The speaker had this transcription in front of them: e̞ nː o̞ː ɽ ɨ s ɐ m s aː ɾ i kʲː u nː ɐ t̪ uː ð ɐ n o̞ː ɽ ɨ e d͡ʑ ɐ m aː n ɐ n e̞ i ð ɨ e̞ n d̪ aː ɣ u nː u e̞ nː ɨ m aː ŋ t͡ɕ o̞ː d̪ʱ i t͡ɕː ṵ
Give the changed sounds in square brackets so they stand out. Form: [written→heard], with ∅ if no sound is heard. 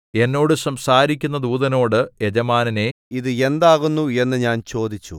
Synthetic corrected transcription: e̞ nː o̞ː ɽ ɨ s ɐ m s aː ɾ i kʲː u nː ɐ [t̪→d̪] uː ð ɐ n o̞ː ɽ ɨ e d͡ʑ ɐ m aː n ɐ n e̞ i ð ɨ e̞ n d̪ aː ɣ u nː u e̞ nː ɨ [m→ɲ] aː [ŋ→n] t͡ɕ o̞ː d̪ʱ i t͡ɕː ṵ